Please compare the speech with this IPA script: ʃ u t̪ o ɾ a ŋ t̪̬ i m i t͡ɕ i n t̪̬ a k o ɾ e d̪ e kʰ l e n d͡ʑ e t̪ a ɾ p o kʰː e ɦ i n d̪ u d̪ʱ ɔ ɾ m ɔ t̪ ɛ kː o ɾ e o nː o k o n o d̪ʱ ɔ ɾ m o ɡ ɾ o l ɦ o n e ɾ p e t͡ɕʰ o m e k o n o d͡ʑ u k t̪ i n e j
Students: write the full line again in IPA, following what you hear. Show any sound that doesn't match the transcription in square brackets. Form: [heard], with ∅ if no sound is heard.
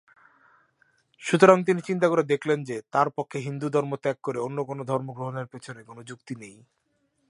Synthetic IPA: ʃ u t̪ o ɾ a ŋ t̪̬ i [n] i t͡ɕ i n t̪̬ a k o ɾ e d̪ e kʰ l e n d͡ʑ e t̪ a ɾ p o kʰː e ɦ i n d̪ u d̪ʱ ɔ ɾ m [o] t̪ ɛ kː o ɾ e o nː o k o n o d̪ʱ ɔ ɾ m o ɡ ɾ o [∅] ɦ o n e ɾ p e t͡ɕʰ o [n] e k o n o d͡ʑ u k t̪ i n e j